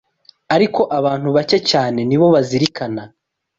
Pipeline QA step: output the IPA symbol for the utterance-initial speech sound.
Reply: a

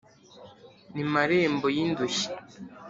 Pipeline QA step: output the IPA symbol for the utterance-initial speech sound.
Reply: n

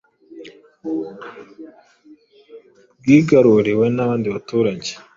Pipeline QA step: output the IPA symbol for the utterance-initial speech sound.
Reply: ɡ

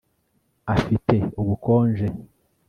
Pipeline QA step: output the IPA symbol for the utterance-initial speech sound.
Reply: a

